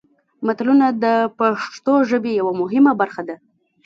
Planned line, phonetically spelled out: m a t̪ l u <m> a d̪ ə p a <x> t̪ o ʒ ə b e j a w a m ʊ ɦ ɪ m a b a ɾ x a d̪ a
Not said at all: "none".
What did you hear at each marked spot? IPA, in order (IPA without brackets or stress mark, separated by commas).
n, ʂ